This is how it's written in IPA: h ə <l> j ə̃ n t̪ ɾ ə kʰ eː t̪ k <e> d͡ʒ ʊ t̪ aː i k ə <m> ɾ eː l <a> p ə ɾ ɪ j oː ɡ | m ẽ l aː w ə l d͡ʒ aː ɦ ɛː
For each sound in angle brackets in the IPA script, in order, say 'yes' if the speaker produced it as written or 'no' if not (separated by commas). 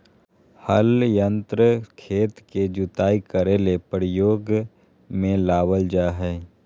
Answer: yes, yes, no, no